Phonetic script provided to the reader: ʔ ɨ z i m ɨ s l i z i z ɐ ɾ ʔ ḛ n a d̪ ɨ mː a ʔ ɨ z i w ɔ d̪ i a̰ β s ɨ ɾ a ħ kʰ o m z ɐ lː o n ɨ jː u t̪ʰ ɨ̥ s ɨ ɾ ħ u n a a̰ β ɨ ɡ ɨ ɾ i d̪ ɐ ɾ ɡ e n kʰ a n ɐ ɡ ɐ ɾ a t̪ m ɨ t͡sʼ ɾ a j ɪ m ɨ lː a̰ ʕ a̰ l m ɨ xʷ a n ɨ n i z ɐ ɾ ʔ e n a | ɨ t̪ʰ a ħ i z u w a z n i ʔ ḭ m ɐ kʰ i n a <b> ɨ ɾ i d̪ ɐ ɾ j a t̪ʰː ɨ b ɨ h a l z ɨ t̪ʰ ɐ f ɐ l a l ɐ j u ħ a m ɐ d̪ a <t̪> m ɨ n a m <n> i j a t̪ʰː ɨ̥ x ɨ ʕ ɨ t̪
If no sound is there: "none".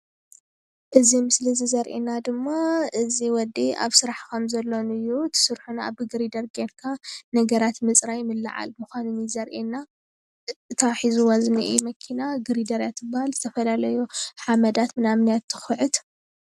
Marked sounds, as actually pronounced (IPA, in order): ɡ, t̪, n

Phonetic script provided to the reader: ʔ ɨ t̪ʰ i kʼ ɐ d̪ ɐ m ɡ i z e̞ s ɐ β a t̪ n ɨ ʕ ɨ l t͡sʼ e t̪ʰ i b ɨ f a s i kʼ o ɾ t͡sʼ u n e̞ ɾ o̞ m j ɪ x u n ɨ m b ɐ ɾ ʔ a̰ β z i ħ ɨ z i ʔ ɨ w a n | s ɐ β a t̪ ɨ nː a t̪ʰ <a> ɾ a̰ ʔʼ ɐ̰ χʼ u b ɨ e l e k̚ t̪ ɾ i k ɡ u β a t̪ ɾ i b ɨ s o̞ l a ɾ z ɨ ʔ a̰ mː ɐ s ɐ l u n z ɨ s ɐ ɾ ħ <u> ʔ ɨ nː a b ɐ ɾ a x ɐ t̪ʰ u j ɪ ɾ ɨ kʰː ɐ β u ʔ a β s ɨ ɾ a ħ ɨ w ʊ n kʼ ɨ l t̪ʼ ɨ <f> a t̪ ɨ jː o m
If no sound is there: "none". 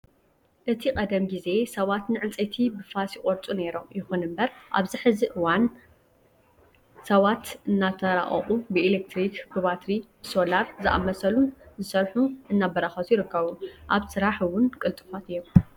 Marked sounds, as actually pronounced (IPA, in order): ɐ, u, f

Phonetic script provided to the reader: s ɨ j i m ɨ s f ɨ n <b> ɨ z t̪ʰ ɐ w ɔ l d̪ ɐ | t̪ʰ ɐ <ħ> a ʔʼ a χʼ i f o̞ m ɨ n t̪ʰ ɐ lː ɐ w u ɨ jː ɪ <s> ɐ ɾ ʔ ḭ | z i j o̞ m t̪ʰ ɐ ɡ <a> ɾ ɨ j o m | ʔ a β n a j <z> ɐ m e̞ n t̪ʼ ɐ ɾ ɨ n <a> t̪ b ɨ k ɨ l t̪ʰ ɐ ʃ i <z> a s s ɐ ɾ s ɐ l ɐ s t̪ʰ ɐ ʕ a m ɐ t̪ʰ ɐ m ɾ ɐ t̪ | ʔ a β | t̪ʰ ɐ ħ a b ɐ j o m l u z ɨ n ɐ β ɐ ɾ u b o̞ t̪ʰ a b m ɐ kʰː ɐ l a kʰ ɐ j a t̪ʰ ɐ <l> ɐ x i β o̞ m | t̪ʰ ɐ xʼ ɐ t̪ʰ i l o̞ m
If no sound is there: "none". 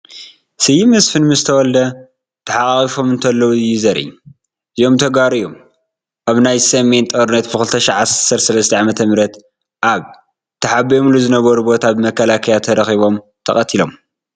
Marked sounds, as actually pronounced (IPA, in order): m, ħ, z, a, s, ɐ, ʕ, ɾ

